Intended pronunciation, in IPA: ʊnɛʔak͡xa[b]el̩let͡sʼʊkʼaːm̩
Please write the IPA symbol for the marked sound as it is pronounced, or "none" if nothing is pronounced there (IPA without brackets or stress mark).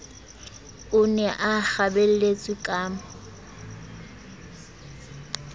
b